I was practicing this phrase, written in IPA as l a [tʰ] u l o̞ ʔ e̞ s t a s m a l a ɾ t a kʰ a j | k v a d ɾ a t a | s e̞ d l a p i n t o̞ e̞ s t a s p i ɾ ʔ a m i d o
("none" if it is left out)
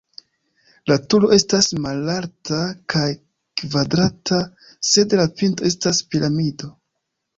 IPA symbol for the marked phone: t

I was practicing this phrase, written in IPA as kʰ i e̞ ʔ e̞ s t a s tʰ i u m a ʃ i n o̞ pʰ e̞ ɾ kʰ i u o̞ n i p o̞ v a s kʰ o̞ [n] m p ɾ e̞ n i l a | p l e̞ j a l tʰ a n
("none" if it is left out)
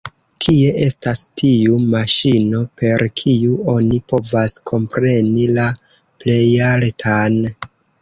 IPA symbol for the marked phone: none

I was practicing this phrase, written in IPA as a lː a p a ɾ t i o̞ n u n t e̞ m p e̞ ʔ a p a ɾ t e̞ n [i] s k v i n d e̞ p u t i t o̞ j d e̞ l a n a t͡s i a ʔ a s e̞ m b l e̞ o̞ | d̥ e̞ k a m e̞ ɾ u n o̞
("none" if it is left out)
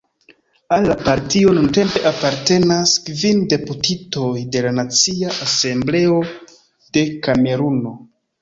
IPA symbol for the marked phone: a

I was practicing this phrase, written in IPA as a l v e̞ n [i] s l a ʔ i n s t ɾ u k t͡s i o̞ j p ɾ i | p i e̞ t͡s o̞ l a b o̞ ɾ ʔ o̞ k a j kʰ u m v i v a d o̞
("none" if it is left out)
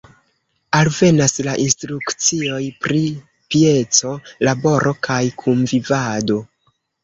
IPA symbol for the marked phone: a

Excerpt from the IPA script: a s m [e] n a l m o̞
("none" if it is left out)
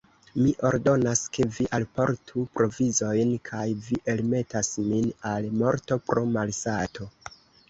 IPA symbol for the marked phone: i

